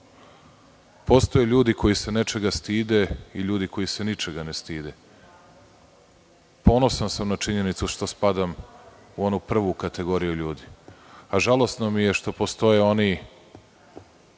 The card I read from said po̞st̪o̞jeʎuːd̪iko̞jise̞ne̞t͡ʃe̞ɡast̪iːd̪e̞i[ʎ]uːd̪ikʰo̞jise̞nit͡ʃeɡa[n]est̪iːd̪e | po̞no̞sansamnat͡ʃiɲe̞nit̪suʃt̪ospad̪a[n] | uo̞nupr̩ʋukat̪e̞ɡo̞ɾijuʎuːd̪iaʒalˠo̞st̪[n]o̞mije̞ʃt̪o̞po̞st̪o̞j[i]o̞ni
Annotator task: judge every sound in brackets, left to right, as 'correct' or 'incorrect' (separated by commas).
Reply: correct, correct, incorrect, correct, incorrect